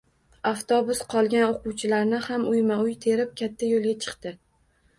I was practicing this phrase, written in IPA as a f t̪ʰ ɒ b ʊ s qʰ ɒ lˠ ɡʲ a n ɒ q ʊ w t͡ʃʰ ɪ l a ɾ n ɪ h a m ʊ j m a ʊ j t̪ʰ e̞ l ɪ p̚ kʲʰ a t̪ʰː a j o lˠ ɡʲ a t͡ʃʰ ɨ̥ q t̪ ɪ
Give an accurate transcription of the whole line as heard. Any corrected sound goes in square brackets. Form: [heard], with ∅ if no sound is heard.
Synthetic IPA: a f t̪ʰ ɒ b ʊ s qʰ ɒ lˠ ɡʲ a n [o] q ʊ w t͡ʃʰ ɪ l a ɾ n ɪ h a m ʊ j m a ʊ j t̪ʰ e̞ [ɾ] ɪ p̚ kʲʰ a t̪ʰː a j o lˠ ɡʲ a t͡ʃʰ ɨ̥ q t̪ ɪ